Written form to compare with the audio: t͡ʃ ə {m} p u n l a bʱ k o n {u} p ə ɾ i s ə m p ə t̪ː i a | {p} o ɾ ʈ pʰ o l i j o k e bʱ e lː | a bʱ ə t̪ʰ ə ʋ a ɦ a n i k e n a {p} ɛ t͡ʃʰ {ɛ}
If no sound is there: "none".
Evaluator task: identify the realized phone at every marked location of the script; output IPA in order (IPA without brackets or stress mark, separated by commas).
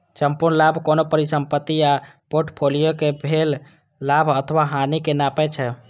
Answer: m, o, p, p, ɛ